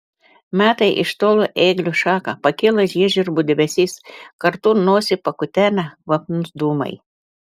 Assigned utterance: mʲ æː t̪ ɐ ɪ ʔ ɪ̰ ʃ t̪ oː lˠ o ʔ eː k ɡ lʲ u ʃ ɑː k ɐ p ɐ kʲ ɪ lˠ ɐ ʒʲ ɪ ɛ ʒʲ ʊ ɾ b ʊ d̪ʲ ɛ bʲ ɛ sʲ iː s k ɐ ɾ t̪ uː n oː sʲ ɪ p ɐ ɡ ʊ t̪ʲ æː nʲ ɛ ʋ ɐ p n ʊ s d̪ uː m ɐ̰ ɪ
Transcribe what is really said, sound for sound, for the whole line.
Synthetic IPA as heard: mʲ æː t̪ ɐ ɪ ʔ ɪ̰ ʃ t̪ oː lˠ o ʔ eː ɡ lʲ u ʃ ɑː k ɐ p ɐ kʲ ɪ lˠ ɐ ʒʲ i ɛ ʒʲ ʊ ɾ b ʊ d̪ʲ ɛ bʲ ɛ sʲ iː s k ɐ ɾ t̪ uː n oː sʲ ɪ p ɐ k ʊ t̪ʲ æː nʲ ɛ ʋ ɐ p n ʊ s d̪ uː m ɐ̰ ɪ